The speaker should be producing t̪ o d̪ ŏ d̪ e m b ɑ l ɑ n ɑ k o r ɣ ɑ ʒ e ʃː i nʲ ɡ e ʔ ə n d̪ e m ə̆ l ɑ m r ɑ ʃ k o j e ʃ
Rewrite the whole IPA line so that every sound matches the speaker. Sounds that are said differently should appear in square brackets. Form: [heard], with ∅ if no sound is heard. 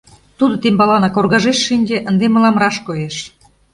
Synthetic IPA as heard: t̪ [u] d̪ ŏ [t̪] e m b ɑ l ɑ n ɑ k o r ɣ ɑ ʒ e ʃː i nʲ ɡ e ʔ ə n d̪ e m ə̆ l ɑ m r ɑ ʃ k o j e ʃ